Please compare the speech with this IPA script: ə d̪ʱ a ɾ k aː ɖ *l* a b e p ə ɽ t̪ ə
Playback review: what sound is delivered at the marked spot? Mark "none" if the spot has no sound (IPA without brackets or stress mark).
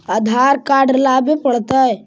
l